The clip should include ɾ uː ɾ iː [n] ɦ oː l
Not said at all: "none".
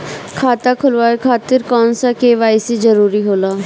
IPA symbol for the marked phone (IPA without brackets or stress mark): none